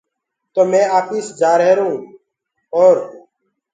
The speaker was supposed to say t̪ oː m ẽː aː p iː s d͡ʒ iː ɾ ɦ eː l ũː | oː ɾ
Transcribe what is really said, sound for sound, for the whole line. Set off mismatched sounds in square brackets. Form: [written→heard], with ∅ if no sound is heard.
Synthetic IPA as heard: t̪ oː m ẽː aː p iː s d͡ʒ [iː→aː] ɾ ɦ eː [l→ɾ] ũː | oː ɾ